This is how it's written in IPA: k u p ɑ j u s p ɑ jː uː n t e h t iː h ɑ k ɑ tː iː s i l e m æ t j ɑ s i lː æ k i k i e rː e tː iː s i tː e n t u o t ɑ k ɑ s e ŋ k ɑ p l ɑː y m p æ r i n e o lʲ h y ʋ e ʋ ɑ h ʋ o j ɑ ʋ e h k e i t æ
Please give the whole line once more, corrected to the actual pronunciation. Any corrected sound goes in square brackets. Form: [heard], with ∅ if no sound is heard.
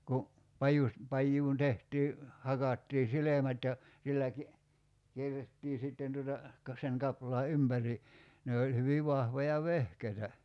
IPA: k u p ɑ j u s p ɑ jː uː n t e h t iː h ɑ k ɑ tː iː s i l e m æ t j ɑ s i lː æ k i k i e rː e tː iː s i tː e n t u o t ɑ k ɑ s e ŋ k ɑ p l ɑː y m p æ r i n e o lʲ h y ʋ [i] ʋ ɑ h ʋ o j ɑ ʋ e h k e i t æ